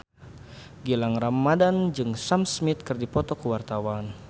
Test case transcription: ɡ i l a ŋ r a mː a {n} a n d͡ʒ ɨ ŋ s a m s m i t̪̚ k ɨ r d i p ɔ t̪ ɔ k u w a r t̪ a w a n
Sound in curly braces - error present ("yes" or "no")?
yes